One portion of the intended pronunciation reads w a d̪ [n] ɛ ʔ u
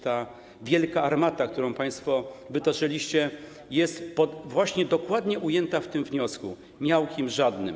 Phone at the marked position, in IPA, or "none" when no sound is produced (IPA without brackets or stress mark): ɲ